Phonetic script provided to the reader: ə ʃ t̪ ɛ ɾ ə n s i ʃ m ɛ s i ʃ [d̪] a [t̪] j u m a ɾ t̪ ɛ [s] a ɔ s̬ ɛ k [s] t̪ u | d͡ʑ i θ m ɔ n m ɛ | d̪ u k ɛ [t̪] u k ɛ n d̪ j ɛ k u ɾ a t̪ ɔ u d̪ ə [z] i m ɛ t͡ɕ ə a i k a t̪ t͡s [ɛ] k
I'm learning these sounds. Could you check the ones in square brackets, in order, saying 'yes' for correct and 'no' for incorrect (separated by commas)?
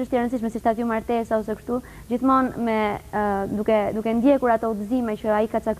no, yes, yes, no, no, yes, no